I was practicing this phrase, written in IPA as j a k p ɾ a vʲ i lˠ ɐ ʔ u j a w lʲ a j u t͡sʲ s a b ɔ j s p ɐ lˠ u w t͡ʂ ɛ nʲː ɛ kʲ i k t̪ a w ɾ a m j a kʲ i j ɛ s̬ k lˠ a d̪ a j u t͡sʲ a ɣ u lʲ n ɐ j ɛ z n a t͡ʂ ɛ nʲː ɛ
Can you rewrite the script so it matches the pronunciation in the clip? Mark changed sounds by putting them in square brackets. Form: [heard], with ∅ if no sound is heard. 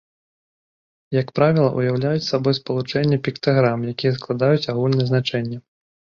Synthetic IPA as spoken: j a k p ɾ a vʲ i lˠ ɐ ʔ u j a w lʲ a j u t͡sʲ s a b ɔ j s p ɐ lˠ u [∅] t͡ʂ ɛ nʲː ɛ [pʲ] i k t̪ a [ɣ] ɾ a m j a kʲ i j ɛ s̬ k lˠ a d̪ a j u t͡sʲ a ɣ u lʲ n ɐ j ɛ z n a t͡ʂ ɛ nʲː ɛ

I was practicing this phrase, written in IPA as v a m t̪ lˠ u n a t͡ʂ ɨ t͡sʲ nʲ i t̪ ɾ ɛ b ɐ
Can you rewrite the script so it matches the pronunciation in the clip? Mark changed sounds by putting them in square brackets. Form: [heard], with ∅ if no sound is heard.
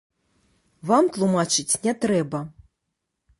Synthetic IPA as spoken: v a m t̪ lˠ u [m] a t͡ʂ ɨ t͡sʲ nʲ [ɛ] t̪ ɾ ɛ b ɐ

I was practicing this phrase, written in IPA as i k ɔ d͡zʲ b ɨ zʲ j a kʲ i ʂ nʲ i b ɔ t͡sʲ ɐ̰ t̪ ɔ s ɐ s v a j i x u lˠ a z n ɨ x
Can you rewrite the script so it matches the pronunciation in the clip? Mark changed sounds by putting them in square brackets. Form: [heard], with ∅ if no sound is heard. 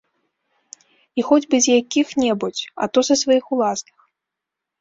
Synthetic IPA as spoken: i [x] ɔ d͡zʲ b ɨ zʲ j a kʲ i [x] nʲ [ɛ] b [u] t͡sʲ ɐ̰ t̪ ɔ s ɐ s v a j i x u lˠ a [s] n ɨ x

